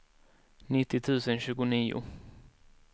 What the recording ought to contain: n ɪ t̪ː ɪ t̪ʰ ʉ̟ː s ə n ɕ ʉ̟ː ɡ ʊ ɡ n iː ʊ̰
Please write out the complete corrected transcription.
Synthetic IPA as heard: n ɪ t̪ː ɪ t̪ʰ ʉ̟ː s ə n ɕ ʉ̟ː ɡ ʊ n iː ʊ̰